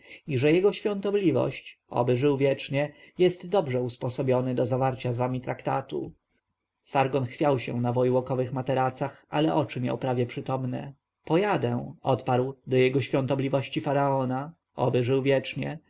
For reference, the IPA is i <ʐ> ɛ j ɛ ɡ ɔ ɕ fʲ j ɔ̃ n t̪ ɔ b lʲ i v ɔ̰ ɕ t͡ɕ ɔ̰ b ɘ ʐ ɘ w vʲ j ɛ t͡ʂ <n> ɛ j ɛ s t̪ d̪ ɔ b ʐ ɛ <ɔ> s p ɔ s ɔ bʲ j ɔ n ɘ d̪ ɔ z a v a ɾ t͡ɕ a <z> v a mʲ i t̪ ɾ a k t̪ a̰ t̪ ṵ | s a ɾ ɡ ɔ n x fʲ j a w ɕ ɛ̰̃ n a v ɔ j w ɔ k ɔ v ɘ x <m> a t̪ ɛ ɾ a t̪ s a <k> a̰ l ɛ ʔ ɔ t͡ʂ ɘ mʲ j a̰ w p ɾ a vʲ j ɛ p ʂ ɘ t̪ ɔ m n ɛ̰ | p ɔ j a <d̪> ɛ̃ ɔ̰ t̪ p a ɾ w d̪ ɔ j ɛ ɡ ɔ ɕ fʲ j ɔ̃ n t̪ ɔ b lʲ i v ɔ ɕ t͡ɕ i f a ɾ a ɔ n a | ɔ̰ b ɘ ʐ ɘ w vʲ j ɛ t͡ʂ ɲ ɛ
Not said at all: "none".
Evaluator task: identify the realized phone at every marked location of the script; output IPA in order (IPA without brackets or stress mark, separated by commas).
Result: ʐ, ɲ, u, z, m, x, d̪